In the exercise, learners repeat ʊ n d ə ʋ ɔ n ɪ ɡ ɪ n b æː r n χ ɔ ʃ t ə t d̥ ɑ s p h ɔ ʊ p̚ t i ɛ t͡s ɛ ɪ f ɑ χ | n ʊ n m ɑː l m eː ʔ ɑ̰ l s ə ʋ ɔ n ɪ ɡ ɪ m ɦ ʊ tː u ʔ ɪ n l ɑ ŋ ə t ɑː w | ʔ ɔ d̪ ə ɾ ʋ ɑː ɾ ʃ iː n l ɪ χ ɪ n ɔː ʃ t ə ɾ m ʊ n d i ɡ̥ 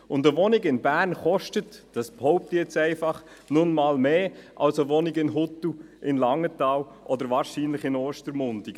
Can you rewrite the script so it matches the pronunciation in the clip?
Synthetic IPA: ʊ n d ə ʋ ɔ n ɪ ɡ ɪ n b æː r n χ ɔ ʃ t ə t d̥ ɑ s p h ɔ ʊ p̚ t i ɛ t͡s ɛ ɪ f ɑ χ | n ʊ n m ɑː l m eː ʔ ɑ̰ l s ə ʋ ɔ n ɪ ɡ ɪ n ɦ ʊ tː u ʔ ɪ n l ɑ ŋ ə t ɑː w | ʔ ɔ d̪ ə ɾ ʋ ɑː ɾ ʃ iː n l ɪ χ ɪ n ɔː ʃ t ə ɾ m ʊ n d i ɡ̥